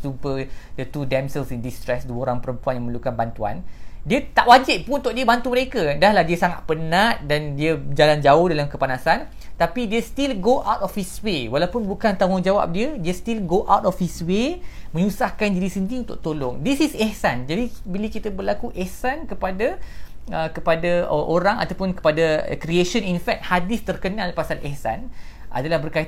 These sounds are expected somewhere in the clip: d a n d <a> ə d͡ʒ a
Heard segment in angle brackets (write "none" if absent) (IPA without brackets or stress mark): i